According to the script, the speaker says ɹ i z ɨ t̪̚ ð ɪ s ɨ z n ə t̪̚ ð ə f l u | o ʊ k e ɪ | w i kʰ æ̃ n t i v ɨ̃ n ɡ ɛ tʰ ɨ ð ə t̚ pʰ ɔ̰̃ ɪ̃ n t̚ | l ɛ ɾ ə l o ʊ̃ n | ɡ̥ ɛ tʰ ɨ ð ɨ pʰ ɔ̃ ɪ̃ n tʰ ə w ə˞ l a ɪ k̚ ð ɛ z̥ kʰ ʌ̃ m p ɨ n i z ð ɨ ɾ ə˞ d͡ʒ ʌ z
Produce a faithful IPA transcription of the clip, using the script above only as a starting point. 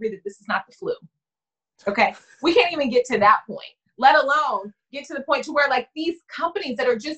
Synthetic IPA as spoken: ɹ i ð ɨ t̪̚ ð ɪ s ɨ z n ə t̪̚ ð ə f l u | o ʊ k e ɪ | w i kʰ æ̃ n t i v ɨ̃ n ɡ ɛ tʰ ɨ ð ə t̚ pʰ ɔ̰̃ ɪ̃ n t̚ | l ɛ ɾ ə l õ ʊ̃ n | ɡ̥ ɛ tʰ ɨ ð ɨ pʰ ɔ̃ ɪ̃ n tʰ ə w ə˞ l a ɪ k̚ ð i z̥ kʰ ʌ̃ m p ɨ n i z ð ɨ ɾ ə˞ d͡ʒ ʌ s